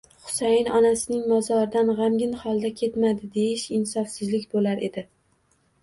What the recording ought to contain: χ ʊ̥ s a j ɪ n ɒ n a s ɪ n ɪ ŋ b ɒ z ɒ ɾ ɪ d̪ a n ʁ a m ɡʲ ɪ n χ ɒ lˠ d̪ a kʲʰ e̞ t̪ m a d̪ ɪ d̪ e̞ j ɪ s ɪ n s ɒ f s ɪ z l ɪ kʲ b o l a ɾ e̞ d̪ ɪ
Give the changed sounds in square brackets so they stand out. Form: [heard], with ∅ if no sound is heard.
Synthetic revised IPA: χ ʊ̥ s a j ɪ n ɒ n a s ɪ n ɪ ŋ [m] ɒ z ɒ ɾ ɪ d̪ a n ʁ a m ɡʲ ɪ n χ ɒ lˠ d̪ a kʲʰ e̞ t̪ m a d̪ ɪ d̪ e̞ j ɪ [ʃ] ɪ n s ɒ f s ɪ z l ɪ kʲ b o l a ɾ e̞ d̪ ɪ